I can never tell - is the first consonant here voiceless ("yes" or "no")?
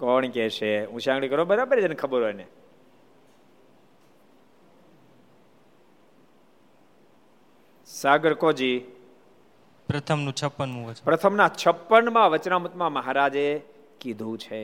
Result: yes